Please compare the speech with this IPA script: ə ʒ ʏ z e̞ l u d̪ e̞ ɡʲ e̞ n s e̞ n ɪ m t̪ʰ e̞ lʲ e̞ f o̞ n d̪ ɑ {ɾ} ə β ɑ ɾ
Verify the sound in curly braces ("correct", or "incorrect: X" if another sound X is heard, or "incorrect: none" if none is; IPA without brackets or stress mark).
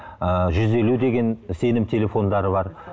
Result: correct